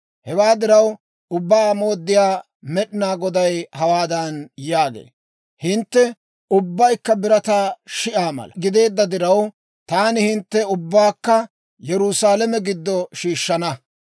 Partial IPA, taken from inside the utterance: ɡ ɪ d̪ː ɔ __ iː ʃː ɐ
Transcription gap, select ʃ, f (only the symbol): ʃ